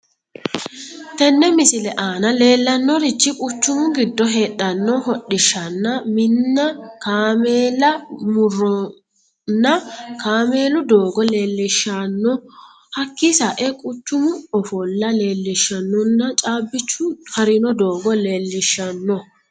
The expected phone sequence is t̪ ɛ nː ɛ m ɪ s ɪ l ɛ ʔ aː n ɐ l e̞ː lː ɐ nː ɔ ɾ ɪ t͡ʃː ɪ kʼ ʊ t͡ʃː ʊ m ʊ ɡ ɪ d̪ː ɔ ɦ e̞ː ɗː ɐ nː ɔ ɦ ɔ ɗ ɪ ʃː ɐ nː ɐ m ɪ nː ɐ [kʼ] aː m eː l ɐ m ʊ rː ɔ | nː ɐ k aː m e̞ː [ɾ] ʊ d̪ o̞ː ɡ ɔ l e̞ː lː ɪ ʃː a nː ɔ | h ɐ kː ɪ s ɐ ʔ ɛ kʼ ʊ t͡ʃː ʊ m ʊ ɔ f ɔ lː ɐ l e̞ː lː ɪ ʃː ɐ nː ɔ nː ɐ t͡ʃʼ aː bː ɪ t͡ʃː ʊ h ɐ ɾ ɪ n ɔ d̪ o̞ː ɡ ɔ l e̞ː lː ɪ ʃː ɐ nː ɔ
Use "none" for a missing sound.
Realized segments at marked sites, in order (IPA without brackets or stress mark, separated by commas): k, l